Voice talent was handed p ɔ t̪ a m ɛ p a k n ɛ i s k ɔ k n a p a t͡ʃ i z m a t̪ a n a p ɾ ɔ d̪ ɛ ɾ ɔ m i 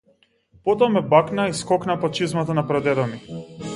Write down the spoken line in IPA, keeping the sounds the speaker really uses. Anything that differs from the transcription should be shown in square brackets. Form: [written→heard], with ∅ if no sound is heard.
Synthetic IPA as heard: p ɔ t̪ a m ɛ [p→b] a k n [ɛ→a] i s k ɔ k n a p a t͡ʃ i z m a t̪ a n a p ɾ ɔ d̪ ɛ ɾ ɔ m i